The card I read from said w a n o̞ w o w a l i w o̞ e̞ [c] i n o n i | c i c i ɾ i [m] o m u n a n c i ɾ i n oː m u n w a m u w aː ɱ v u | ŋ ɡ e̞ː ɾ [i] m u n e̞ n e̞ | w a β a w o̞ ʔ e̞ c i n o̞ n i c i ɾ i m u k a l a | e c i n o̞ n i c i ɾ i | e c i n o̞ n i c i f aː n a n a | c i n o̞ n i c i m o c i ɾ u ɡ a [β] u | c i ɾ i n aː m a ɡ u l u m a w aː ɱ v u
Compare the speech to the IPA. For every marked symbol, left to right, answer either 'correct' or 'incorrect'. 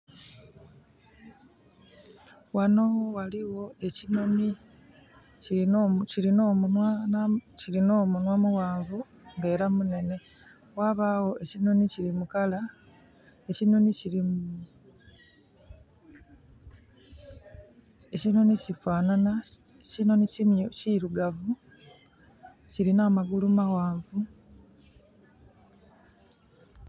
correct, incorrect, incorrect, incorrect

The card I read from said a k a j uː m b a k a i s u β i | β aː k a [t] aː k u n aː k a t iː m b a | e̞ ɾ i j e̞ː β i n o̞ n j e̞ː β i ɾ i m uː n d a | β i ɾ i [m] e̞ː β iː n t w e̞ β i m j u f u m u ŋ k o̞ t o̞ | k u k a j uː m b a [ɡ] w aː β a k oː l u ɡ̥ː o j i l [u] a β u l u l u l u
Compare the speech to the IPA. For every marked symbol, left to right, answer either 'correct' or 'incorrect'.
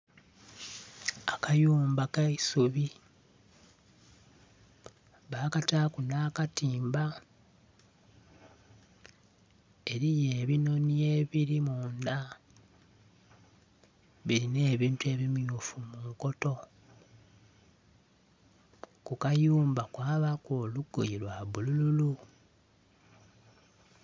correct, incorrect, incorrect, incorrect

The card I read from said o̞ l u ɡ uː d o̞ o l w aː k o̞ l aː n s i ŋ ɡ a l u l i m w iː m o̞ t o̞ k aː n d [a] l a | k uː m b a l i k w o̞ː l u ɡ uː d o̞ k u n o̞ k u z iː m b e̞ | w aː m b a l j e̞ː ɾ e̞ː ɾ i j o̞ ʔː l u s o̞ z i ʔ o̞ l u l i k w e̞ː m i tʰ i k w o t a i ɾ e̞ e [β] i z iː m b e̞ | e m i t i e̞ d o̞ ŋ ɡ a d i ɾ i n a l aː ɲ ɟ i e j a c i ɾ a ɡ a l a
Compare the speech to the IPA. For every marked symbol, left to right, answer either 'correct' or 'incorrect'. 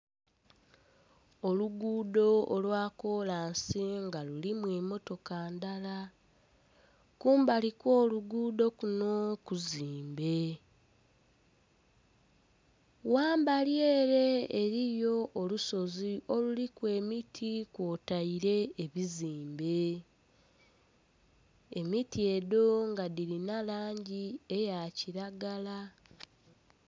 correct, correct

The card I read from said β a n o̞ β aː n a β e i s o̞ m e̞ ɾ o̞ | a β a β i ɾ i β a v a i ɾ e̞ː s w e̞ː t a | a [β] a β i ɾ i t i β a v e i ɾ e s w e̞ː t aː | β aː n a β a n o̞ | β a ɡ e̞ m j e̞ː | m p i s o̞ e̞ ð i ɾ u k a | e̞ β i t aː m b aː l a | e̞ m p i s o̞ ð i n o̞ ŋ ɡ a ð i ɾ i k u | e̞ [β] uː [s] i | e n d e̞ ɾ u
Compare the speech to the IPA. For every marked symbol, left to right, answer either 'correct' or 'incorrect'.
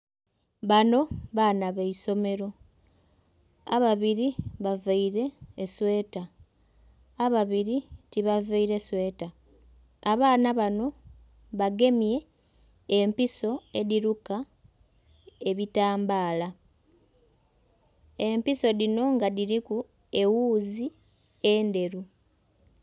correct, incorrect, incorrect

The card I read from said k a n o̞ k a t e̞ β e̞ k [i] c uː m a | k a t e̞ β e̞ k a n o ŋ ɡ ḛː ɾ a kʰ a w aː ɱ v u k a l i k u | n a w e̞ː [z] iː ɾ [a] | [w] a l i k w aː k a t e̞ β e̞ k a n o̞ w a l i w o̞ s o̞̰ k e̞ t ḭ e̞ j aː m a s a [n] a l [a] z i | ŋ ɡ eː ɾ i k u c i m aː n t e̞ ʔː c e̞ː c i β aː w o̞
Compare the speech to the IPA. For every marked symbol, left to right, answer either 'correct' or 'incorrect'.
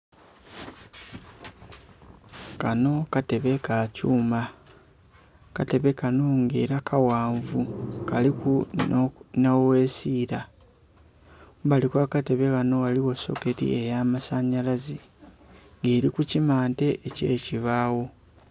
incorrect, incorrect, correct, incorrect, incorrect, correct

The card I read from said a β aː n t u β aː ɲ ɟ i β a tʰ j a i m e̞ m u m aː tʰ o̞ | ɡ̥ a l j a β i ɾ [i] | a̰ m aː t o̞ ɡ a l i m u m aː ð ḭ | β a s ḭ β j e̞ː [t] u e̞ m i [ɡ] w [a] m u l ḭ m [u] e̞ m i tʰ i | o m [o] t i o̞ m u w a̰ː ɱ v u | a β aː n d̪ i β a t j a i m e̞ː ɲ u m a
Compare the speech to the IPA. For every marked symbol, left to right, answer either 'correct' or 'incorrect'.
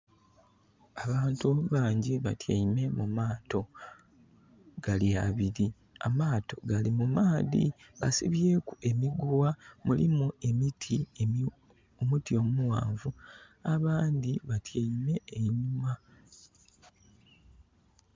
correct, incorrect, correct, correct, correct, incorrect

